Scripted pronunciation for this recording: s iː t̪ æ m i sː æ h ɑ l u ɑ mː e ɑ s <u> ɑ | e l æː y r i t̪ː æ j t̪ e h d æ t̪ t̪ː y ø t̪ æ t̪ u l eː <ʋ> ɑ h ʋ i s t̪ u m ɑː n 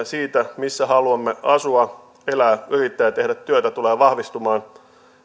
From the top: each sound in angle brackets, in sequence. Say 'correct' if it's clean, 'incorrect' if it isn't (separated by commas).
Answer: correct, correct